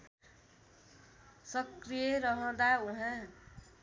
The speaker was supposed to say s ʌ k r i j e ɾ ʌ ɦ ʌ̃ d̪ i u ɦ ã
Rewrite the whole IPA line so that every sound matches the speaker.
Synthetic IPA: s ʌ k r i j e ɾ ʌ ɦ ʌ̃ d̪ a u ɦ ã